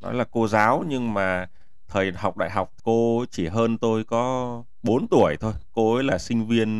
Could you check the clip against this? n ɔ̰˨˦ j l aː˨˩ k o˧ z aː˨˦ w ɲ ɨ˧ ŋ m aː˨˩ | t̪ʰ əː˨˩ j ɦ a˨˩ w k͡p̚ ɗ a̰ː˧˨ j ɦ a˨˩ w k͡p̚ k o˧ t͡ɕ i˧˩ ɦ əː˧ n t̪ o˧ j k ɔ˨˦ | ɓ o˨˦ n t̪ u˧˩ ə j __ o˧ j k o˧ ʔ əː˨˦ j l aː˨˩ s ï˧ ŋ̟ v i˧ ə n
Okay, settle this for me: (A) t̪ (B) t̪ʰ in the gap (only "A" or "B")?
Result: B